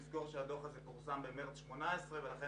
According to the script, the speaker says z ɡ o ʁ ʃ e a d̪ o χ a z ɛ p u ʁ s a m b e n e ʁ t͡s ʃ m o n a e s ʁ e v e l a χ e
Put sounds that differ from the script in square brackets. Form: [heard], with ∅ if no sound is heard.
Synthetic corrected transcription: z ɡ o ʁ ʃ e a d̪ o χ a z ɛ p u ʁ s a m b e [m] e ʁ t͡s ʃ m o n a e s ʁ e v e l a χ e